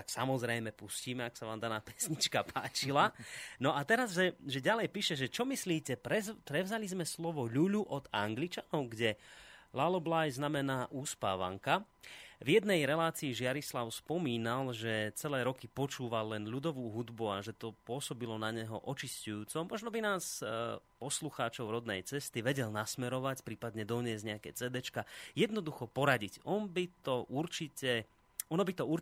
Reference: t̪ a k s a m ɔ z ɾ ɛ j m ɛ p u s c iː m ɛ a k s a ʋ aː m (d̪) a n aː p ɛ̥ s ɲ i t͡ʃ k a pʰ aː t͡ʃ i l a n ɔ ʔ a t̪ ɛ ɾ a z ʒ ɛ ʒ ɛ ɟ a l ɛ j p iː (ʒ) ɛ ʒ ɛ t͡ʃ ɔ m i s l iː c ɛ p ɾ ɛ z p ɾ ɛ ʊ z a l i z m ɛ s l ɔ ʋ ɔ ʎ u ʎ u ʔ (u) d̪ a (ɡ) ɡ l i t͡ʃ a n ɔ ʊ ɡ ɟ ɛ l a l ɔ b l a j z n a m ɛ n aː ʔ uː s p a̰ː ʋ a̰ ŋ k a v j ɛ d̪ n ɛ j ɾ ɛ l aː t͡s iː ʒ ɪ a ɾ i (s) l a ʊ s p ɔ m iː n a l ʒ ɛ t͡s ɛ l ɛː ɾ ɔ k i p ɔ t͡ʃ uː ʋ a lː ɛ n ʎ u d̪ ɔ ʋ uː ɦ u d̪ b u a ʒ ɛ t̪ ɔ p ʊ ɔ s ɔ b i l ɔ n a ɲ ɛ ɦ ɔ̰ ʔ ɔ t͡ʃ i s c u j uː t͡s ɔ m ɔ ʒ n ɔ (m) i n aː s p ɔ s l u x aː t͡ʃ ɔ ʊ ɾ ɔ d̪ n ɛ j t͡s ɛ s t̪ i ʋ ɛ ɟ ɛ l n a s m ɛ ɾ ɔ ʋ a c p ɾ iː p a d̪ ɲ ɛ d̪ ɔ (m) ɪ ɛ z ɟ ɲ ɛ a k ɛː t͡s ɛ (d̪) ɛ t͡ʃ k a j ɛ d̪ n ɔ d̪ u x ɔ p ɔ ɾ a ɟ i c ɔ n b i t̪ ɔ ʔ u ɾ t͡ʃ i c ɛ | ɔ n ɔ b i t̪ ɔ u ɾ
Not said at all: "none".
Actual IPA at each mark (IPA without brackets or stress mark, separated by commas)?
d̪, ʃ, ɔ, ŋ, s, b, ɲ, d̪